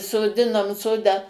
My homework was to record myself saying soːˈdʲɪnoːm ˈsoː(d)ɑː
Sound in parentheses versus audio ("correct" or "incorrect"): correct